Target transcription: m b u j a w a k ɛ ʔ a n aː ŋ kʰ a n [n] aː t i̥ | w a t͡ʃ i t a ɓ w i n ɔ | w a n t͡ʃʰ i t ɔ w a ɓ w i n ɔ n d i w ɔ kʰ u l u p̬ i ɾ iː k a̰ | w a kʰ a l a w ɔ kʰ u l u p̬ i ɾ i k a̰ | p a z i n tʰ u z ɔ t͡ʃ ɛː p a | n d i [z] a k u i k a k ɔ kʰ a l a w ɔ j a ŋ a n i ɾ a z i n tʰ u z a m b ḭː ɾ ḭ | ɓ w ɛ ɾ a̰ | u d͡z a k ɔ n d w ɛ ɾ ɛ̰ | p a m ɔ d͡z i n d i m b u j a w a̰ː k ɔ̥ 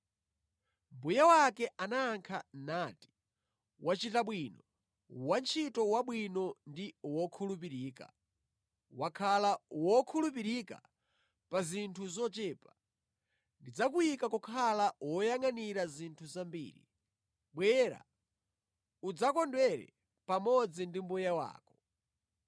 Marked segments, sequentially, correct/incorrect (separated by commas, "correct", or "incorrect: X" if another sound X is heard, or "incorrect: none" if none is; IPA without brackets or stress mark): correct, incorrect: d͡z